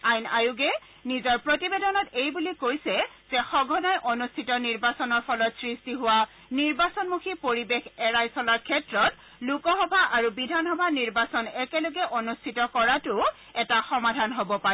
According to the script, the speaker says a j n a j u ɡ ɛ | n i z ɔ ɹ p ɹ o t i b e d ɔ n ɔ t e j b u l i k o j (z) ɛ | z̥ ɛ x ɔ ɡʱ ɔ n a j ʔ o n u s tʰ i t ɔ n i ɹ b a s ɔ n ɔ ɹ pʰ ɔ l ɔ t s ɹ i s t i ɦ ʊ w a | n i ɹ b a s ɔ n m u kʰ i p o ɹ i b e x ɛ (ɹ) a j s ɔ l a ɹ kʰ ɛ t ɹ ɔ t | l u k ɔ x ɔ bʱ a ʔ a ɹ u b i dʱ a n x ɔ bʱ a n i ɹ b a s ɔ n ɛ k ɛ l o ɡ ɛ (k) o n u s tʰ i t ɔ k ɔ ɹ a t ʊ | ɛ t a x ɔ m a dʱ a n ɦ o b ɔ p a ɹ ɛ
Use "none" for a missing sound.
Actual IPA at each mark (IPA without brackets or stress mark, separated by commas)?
s, ɹ, ʔ